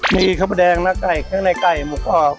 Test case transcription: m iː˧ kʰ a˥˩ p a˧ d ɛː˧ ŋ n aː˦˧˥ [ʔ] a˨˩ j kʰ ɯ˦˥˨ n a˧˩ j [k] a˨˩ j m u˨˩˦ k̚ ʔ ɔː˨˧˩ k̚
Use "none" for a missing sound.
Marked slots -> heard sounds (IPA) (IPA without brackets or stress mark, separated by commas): k, k